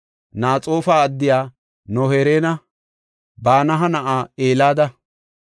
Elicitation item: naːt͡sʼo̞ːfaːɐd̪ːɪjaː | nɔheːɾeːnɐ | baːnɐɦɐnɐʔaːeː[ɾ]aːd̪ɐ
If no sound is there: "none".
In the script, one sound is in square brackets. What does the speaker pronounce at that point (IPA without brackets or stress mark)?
l